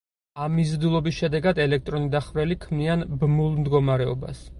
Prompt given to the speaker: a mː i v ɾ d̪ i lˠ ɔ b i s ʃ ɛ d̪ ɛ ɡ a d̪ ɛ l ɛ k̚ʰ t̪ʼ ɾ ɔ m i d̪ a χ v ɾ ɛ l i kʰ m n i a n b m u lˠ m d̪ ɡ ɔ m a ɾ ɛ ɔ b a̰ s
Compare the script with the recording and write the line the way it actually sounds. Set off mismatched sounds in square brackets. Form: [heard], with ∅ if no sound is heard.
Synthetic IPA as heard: a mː i [z] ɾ d̪ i lˠ ɔ b i s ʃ ɛ d̪ ɛ ɡ a d̪ ɛ l ɛ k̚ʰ t̪ʼ ɾ ɔ [n] i d̪ a χ v ɾ ɛ l i kʰ m n i a n b m u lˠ m d̪ ɡ ɔ m a ɾ ɛ ɔ b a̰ s